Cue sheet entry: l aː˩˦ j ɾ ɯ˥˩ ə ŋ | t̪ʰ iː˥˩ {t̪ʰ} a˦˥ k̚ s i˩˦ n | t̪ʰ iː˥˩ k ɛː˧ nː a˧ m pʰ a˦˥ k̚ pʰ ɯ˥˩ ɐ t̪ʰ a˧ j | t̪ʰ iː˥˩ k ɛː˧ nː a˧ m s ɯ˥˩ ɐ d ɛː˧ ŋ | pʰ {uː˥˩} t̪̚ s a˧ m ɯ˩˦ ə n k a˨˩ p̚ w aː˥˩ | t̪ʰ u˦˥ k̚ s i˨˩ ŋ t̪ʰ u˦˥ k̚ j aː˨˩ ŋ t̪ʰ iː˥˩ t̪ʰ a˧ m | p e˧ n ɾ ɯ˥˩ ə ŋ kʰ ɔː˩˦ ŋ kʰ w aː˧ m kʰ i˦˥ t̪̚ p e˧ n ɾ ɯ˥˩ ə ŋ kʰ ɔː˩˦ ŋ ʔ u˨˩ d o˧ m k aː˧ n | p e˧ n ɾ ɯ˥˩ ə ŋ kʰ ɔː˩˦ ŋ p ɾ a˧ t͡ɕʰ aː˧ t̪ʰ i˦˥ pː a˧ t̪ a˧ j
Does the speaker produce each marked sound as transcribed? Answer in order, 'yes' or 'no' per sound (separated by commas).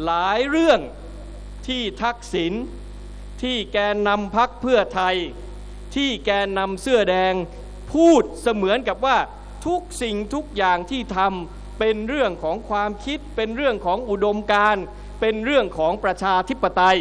yes, yes